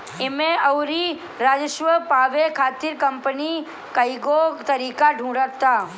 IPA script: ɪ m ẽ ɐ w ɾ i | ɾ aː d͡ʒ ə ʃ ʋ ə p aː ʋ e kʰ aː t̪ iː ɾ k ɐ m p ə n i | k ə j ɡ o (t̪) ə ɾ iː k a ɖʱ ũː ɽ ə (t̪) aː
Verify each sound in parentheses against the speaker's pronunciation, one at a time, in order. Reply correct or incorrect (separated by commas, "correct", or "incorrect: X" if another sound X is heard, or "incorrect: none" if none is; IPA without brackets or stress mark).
correct, correct